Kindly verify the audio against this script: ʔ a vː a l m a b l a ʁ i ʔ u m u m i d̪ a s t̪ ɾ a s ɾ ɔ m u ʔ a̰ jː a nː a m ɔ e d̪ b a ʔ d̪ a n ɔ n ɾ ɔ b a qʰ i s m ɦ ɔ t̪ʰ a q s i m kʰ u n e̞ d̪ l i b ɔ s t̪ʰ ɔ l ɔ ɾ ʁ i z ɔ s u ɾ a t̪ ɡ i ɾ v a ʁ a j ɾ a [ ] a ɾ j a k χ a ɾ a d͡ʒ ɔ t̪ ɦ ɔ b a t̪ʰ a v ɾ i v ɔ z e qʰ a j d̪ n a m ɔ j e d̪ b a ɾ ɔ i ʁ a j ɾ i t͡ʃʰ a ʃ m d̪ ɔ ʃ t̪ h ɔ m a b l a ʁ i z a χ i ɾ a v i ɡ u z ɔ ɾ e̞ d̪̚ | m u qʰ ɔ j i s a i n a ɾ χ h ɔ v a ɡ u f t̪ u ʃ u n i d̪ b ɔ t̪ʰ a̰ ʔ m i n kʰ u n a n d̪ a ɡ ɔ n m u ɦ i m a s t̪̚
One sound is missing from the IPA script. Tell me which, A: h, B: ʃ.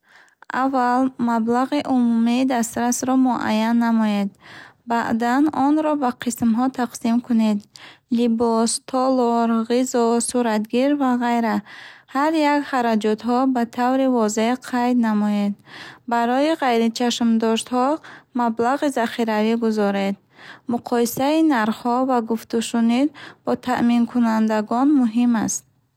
A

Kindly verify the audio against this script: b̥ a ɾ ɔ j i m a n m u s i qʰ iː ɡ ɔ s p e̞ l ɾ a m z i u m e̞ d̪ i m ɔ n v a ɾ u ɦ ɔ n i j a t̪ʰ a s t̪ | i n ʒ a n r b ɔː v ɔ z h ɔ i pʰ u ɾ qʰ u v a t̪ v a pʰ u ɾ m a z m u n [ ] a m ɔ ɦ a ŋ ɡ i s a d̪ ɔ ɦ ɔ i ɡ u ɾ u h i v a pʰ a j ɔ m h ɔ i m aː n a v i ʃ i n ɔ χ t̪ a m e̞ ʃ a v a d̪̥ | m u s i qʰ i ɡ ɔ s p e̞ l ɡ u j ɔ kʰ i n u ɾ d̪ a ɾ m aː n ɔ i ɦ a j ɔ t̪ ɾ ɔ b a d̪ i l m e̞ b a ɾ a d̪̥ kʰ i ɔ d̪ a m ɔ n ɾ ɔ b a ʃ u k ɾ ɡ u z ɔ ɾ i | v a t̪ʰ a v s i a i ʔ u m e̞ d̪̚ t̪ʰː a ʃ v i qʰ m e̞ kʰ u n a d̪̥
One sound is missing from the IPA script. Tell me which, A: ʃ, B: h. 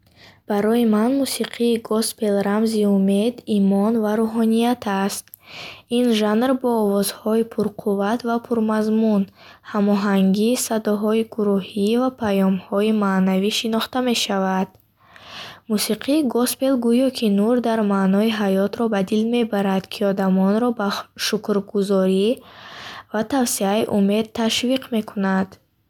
B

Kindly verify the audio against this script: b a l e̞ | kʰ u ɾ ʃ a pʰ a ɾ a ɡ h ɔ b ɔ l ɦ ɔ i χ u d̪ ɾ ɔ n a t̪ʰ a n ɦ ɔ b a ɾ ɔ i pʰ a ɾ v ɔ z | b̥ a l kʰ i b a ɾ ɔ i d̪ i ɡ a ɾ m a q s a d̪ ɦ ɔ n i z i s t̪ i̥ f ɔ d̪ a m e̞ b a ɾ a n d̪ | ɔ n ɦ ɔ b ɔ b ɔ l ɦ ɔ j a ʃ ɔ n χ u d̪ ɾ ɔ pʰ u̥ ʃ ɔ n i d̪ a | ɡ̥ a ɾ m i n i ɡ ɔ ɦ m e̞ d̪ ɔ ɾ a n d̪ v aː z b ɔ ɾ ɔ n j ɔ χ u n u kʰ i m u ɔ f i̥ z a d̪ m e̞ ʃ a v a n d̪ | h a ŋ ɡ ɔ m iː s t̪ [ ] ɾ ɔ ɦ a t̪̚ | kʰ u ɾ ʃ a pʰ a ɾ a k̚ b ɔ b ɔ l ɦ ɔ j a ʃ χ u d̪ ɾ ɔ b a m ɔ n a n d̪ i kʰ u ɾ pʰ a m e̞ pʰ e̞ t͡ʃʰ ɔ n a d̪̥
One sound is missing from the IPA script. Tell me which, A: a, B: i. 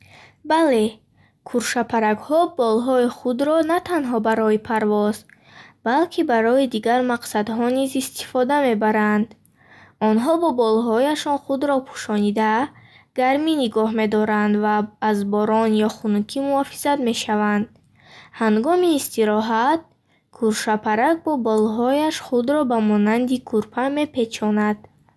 B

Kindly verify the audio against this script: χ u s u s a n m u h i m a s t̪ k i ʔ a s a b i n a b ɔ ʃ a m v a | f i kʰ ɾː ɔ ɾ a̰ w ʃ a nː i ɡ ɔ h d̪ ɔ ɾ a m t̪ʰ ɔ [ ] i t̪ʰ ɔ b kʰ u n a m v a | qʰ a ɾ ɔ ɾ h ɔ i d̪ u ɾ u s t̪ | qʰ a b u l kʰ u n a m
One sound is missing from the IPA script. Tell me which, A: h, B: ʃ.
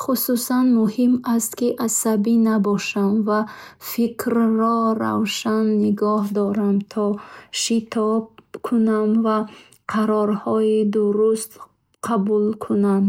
B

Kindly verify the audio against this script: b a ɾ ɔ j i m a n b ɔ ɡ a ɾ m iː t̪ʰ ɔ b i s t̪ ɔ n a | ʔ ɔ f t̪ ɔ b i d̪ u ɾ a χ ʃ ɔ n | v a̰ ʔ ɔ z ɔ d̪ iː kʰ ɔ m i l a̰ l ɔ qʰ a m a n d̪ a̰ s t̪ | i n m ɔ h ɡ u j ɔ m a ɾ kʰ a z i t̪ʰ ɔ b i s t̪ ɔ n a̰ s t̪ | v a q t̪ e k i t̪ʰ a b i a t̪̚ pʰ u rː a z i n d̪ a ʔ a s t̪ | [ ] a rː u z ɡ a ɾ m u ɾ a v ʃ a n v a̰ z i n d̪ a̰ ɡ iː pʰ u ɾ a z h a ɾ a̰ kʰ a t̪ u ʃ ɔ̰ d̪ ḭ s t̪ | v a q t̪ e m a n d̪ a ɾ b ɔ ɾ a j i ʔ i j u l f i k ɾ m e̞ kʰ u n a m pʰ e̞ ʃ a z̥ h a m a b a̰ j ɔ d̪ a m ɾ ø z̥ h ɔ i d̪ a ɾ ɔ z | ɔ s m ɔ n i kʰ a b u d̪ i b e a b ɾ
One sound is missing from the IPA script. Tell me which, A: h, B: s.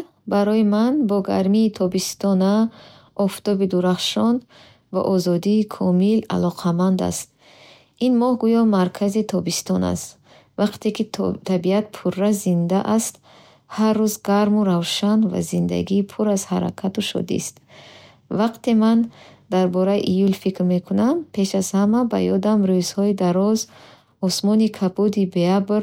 A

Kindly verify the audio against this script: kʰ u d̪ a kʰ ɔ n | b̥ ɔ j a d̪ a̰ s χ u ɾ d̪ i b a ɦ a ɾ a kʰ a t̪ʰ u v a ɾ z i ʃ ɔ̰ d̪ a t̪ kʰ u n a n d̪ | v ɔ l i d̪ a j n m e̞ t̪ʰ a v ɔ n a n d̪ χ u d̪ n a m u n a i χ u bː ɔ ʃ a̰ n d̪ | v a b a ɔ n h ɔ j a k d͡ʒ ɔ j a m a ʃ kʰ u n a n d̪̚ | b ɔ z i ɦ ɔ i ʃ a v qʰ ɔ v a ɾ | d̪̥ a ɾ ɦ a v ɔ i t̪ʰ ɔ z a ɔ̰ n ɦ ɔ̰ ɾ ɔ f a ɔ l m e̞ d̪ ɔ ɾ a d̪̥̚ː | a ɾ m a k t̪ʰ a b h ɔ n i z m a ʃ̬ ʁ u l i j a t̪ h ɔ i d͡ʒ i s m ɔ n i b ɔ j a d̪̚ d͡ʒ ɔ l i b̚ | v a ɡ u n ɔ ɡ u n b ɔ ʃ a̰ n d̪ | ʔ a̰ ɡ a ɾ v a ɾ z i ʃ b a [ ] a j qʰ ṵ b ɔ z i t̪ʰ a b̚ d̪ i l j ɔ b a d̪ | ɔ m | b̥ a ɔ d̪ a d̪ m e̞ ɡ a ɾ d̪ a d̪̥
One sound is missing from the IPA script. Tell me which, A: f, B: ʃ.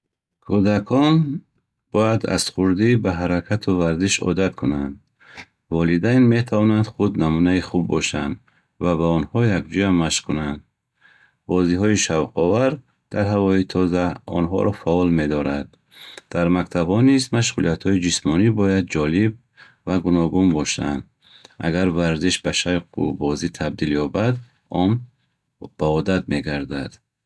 B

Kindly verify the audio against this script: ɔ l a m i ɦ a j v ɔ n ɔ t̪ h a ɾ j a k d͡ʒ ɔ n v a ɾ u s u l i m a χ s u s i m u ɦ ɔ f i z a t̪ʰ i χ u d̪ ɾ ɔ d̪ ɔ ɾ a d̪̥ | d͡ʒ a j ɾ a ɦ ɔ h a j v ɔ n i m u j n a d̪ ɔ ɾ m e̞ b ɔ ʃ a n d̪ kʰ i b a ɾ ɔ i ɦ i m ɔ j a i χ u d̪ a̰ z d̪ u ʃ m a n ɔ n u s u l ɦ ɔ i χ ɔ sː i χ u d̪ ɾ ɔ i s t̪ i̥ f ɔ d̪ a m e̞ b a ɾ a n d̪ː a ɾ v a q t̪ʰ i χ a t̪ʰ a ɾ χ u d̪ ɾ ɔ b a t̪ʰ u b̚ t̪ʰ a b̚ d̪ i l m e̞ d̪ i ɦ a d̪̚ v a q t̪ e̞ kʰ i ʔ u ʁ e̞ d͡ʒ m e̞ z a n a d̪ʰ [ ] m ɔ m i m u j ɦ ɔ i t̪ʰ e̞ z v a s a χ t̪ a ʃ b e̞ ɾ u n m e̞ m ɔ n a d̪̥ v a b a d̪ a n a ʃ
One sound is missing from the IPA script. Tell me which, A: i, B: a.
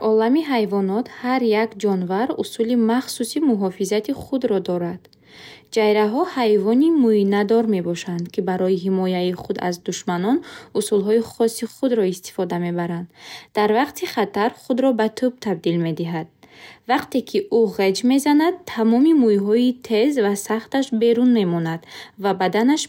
B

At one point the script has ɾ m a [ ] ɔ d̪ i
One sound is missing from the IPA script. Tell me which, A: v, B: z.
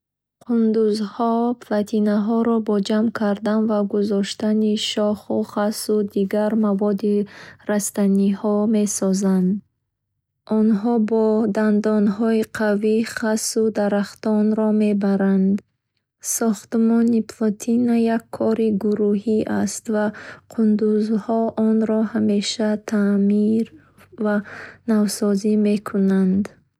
A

